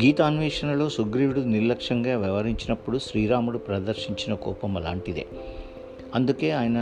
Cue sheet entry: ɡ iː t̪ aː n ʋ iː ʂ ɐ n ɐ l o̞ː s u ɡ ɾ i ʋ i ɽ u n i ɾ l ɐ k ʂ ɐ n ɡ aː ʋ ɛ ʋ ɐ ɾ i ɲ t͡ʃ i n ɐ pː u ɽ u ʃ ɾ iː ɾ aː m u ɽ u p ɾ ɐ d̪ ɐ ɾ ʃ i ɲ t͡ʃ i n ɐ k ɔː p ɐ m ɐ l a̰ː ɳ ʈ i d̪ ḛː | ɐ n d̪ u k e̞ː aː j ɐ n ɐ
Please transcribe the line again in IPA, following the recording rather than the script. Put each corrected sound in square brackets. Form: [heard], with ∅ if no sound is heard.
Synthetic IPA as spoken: ɡ iː t̪ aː n ʋ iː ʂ ɐ n ɐ l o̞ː s u ɡ ɾ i ʋ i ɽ u n i ɾ l ɐ k ʂ ɐ [ŋ] ɡ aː ʋ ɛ ʋ ɐ ɾ i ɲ t͡ʃ i n ɐ pː u ɽ u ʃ ɾ iː ɾ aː m u ɽ u p ɾ ɐ d̪ ɐ ɾ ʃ i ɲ t͡ʃ i n ɐ k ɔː p ɐ m ɐ l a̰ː ɳ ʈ i d̪ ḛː | ɐ n d̪ u k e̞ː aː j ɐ n ɐ